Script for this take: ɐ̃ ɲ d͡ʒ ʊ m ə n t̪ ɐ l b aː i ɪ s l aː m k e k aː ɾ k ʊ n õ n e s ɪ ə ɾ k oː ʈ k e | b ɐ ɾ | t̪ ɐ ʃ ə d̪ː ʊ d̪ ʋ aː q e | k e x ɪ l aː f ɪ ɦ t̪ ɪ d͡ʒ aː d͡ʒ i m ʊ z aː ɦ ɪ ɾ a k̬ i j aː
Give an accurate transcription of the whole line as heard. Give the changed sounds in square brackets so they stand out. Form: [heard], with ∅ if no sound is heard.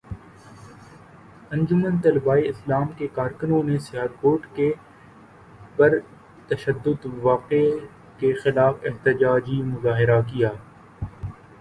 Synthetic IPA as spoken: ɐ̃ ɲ d͡ʒ ʊ m ə n t̪ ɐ l b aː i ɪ s l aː m k e k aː ɾ k ʊ n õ n e s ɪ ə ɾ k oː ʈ k e | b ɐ ɾ | t̪ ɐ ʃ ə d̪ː ʊ d̪ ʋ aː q e | k e x ɪ l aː f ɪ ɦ t̪ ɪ d͡ʒ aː d͡ʒ i m ʊ z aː ɦ ɪ ɾ a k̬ i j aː

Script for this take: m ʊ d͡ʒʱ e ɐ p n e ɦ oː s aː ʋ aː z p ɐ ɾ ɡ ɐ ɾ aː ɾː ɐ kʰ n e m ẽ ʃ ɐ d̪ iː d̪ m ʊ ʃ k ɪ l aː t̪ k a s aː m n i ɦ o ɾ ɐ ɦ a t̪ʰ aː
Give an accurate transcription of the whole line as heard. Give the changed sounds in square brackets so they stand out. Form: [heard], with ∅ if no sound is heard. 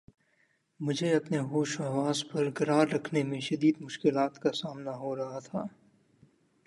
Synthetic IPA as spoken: m ʊ d͡ʒʱ e ɐ p n e ɦ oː [ʃ] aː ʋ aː z p ɐ ɾ ɡ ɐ ɾ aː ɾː ɐ kʰ n e m ẽ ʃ ɐ d̪ iː d̪ m ʊ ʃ k ɪ l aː t̪ k a s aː m n [a] ɦ o ɾ ɐ ɦ a t̪ʰ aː

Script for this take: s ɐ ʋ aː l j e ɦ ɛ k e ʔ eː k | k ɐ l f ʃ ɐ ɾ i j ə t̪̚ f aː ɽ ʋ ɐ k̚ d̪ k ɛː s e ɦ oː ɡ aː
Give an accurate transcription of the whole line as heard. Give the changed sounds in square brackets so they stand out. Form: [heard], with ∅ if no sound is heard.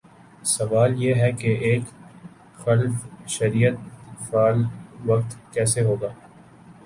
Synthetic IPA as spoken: s ɐ ʋ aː l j e ɦ ɛ k e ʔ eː k | [x] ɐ l f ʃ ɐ ɾ i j ə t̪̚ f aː [l] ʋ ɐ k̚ [t̪] k ɛː s e ɦ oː ɡ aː

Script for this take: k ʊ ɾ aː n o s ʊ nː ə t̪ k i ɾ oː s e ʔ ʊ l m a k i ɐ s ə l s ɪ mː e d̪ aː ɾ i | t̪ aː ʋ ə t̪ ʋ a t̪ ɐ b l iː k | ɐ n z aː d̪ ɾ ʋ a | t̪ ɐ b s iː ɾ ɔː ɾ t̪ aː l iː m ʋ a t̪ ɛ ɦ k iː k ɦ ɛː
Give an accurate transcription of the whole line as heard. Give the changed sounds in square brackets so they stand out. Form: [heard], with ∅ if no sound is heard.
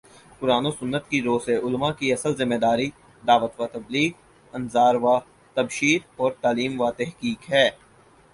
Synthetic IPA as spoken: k ʊ ɾ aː n o s ʊ nː ə t̪ k i ɾ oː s e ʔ ʊ l m a k i ɐ s ə l [z] ɪ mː e d̪ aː ɾ i | [d̪] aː ʋ ə t̪ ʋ a t̪ ɐ b l iː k | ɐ n z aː [∅] ɾ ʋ a | t̪ ɐ b [ʃ] iː ɾ ɔː ɾ t̪ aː l iː m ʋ a t̪ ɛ ɦ k iː k ɦ ɛː

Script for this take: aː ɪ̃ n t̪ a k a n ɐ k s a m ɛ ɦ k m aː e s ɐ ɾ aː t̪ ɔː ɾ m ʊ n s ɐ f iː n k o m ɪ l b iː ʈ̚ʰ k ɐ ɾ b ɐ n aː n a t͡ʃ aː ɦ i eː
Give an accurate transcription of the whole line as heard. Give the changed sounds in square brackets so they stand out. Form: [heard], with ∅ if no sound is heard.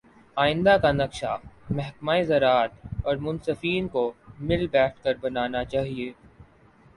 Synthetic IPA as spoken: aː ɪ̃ n [d̪] a k a n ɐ k [ʃ] a m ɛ ɦ k m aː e [z] ɐ ɾ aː t̪ ɔː ɾ m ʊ n s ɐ f iː n k o m ɪ l b [ɛː] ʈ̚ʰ k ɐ ɾ b ɐ n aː n a t͡ʃ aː ɦ i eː

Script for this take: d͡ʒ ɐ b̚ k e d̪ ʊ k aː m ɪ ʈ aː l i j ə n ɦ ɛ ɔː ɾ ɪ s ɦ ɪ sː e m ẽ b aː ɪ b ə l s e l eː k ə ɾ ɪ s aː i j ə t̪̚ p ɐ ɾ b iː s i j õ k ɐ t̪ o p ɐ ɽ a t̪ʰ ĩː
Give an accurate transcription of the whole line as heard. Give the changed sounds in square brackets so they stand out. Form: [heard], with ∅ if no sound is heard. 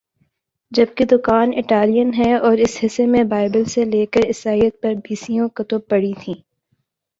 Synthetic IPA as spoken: d͡ʒ ɐ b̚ k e d̪ ʊ k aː [n] ɪ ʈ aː l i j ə n ɦ ɛ ɔː ɾ ɪ s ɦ ɪ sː e m ẽ b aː ɪ b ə l s e l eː k ə ɾ ɪ s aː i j ə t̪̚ p ɐ ɾ b iː s i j õ k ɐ t̪ o p ɐ ɽ [i] t̪ʰ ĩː

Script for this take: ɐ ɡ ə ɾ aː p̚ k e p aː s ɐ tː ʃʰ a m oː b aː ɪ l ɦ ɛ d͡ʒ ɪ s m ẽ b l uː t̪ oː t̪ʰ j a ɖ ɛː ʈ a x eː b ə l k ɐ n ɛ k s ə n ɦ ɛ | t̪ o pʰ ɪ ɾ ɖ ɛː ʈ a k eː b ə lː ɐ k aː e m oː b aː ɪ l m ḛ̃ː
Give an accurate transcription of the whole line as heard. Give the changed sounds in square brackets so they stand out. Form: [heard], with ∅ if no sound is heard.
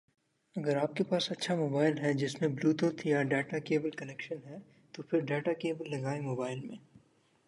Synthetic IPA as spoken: ɐ ɡ ə ɾ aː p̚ k e p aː s ɐ tː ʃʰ a m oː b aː ɪ l ɦ ɛ d͡ʒ ɪ s m ẽ b l uː t̪ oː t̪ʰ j a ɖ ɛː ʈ a [k] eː b ə l k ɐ n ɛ k [ʃ] ə n ɦ ɛ | t̪ o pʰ ɪ ɾ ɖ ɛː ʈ a k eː b ə lː ɐ [ɡ] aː e m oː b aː ɪ l m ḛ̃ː

